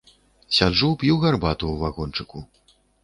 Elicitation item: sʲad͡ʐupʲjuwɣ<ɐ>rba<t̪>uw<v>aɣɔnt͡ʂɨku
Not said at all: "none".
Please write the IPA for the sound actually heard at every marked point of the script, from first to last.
a, t̪, v

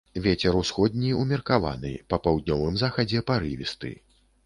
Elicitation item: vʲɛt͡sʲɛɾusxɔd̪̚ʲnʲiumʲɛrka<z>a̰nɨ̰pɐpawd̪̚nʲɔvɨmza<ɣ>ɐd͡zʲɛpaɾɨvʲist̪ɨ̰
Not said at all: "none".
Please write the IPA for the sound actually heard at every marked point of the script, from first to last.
v, x

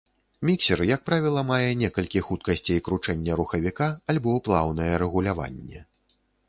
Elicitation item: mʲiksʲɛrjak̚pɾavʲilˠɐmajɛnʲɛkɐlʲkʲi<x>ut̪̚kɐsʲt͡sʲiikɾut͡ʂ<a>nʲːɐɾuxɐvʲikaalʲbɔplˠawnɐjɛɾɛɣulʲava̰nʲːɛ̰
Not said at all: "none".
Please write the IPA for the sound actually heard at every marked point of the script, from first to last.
x, ɛ

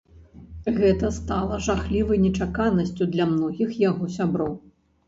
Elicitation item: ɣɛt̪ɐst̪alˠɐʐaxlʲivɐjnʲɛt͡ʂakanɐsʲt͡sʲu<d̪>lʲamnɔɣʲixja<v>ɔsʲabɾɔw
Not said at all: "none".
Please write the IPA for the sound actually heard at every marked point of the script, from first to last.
d̪, ɣ

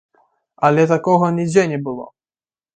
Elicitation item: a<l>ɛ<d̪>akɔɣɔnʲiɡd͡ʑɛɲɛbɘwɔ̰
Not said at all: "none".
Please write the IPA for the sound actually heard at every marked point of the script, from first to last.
l, t̪

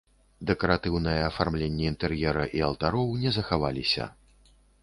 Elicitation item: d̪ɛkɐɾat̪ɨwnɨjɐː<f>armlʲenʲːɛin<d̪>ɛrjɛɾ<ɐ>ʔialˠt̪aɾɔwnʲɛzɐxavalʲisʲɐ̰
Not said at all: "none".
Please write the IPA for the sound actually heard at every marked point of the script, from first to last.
f, t̪, ɐ

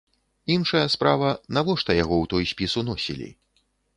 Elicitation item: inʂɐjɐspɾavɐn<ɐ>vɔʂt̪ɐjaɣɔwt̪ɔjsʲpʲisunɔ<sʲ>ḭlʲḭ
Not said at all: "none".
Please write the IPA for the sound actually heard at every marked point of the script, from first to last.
a, sʲ

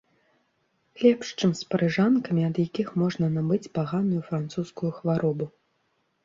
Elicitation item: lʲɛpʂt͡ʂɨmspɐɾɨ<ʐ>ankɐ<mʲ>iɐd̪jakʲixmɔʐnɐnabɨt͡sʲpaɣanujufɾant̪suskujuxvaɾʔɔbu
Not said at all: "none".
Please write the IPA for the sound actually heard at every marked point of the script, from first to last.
ʐ, mʲ

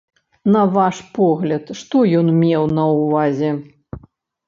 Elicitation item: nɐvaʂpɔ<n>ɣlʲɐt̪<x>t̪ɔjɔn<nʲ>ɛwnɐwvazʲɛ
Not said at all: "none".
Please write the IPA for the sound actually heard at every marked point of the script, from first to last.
none, ʂ, mʲ

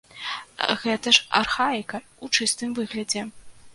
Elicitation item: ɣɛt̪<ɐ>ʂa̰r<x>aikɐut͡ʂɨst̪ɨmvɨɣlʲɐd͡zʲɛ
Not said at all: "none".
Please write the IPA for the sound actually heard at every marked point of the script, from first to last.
ɐ, x

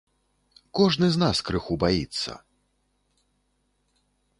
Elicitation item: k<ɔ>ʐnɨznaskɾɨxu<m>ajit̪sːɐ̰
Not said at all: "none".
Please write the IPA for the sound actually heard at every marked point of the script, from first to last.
ɔ, b

